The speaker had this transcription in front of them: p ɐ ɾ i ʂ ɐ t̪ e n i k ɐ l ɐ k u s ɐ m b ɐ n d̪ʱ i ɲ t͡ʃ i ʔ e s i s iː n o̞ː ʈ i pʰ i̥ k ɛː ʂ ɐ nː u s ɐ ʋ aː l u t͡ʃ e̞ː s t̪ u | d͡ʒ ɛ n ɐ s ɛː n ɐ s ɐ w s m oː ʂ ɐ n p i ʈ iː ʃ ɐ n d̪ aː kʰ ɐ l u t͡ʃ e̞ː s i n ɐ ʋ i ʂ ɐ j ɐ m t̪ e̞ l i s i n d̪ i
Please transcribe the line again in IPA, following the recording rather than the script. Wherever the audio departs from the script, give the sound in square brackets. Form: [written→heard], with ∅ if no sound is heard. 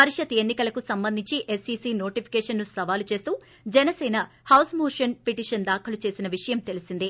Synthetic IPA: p ɐ ɾ i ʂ ɐ t̪ e [n→nː] i k ɐ l ɐ k u s ɐ m b ɐ n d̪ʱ i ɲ t͡ʃ i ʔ e s i s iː n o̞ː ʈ i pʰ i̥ k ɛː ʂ ɐ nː u s ɐ ʋ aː l u t͡ʃ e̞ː s t̪ [u→uː] | d͡ʒ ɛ n ɐ s ɛː n ɐ [s→h] ɐ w s m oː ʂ ɐ n p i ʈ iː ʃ ɐ n d̪ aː kʰ ɐ l u t͡ʃ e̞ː s i n ɐ ʋ i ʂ ɐ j ɐ m t̪ e̞ l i s i n d̪ i

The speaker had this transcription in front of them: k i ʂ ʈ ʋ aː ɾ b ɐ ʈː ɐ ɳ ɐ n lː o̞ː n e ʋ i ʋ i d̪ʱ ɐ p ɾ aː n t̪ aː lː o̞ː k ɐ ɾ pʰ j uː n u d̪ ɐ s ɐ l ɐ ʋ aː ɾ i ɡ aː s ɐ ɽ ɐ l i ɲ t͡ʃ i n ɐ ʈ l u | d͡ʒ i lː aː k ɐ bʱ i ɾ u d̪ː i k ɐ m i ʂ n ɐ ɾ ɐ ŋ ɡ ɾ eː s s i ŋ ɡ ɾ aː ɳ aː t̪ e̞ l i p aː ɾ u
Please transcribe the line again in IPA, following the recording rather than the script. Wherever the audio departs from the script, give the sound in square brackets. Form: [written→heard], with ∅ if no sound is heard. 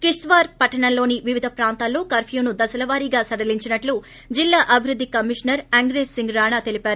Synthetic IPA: k i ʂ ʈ ʋ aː ɾ [b→p] ɐ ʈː ɐ ɳ ɐ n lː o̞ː n [e→i] ʋ i ʋ i d̪ʱ ɐ p ɾ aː n t̪ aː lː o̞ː k ɐ ɾ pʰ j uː n u d̪ ɐ s ɐ l ɐ ʋ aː ɾ i ɡ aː s ɐ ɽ ɐ l i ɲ t͡ʃ i n ɐ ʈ l u | d͡ʒ i lː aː [k→ʔ] ɐ bʱ i ɾ u d̪ː i k ɐ m i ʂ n ɐ ɾ ɐ ŋ ɡ ɾ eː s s i ŋ ɡ ɾ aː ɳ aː t̪ e̞ l i p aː ɾ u

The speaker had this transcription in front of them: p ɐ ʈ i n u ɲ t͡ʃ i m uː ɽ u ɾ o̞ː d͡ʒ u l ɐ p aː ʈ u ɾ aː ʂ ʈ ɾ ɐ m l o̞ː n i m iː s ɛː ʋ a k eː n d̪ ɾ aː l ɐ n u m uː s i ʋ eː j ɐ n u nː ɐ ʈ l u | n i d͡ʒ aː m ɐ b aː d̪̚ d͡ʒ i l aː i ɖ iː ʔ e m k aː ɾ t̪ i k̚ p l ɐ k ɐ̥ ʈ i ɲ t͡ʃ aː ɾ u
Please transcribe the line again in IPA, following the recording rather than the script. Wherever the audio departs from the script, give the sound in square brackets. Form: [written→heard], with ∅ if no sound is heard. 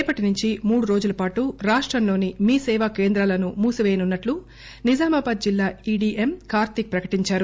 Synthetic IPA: p ɐ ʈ i n u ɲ t͡ʃ i m uː ɽ u ɾ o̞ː d͡ʒ u l ɐ p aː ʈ u ɾ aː ʂ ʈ ɾ ɐ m l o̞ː n i m iː s ɛː ʋ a k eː n d̪ ɾ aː l ɐ n u m uː s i ʋ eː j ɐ n u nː ɐ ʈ l u | n i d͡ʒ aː m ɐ b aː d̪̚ d͡ʒ i [l→lː] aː i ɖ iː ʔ e m k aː ɾ t̪ i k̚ p [l→ɾ] ɐ k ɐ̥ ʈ i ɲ t͡ʃ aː ɾ u

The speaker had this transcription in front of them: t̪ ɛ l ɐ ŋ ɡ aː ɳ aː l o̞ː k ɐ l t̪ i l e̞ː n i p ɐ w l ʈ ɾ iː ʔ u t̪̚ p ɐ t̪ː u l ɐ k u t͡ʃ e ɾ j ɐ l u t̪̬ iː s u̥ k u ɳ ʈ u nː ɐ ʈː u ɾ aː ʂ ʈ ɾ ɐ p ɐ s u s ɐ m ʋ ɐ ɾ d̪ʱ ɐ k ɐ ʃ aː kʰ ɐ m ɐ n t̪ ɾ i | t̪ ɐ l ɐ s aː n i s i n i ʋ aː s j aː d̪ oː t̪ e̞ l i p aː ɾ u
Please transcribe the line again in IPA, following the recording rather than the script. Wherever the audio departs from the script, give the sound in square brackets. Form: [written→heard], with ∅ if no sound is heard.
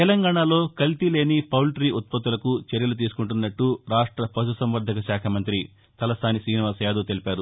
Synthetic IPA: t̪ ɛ l ɐ ŋ ɡ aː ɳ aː l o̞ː k ɐ l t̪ i l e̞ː n i p ɐ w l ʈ ɾ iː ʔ u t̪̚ p ɐ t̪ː u l ɐ k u t͡ʃ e ɾ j ɐ l u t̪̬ iː s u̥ k u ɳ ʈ u nː ɐ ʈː u ɾ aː ʂ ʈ ɾ ɐ p ɐ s u s ɐ m ʋ ɐ ɾ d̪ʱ ɐ k ɐ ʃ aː kʰ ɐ m ɐ n t̪ ɾ i | t̪ ɐ l ɐ s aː n i s [i→iː] n i ʋ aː s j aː d̪ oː t̪ e̞ l i p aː ɾ u

